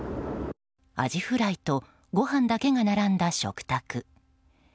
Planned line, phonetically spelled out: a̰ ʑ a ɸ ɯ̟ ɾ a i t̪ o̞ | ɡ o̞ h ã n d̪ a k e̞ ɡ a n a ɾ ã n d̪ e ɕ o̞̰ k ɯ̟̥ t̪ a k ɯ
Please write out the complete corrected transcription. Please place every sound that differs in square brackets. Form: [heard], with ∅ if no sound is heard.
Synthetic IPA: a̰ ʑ [i] ɸ ɯ̟ ɾ a i t̪ o̞ | ɡ o̞ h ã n d̪ a k e̞ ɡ a n a ɾ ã n d̪ [a] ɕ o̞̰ k ɯ̟̥ t̪ a k ɯ